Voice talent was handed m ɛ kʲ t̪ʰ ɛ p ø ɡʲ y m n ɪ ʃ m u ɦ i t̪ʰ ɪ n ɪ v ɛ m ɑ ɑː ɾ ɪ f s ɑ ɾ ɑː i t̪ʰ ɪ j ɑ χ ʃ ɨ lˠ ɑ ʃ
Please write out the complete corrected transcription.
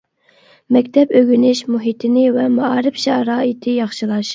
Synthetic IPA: m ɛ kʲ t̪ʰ ɛ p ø ɡʲ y n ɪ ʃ m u ɦ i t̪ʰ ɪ n ɪ v ɛ m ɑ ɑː ɾ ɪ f ʃ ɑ ɾ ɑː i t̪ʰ ɪ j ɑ χ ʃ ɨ lˠ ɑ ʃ